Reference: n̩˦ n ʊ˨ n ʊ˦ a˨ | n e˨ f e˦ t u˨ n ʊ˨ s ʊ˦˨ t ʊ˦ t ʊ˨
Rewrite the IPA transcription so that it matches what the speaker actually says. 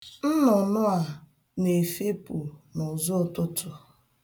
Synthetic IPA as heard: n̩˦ n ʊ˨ n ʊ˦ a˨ | n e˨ f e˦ p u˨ n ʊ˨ z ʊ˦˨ t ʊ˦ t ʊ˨